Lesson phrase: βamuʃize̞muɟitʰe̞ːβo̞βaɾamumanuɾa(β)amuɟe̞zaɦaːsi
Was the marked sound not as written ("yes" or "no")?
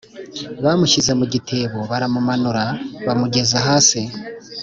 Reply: no